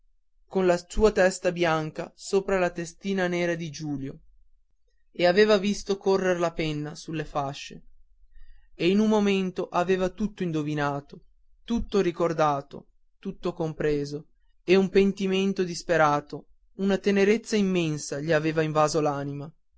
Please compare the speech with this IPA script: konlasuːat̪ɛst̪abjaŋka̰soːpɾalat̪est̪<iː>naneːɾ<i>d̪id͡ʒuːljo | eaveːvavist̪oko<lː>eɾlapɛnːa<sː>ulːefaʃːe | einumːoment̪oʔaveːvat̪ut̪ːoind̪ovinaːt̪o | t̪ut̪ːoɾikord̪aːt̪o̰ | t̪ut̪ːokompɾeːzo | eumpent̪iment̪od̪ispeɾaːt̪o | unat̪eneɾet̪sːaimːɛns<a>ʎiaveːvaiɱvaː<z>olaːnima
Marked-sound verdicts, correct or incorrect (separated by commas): correct, incorrect, incorrect, incorrect, correct, correct